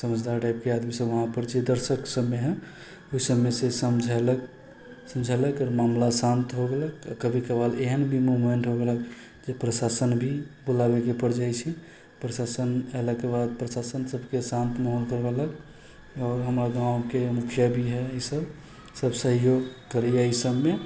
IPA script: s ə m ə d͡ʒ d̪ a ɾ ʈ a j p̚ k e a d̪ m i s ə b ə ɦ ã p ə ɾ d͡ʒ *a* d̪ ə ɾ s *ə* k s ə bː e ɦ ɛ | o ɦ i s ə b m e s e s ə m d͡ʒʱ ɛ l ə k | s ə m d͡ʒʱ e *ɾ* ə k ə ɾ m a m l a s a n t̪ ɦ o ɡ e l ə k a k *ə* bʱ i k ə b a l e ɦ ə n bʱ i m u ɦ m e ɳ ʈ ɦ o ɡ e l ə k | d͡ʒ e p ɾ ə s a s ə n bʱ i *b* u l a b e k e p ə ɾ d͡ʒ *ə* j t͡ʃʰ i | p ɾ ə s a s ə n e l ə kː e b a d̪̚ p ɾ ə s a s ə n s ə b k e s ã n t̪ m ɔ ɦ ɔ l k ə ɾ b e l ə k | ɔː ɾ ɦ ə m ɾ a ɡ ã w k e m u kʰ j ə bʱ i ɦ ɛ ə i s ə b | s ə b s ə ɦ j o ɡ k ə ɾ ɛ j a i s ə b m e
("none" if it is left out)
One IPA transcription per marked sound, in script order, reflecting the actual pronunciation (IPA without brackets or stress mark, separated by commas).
e, ə, l, ə, b, a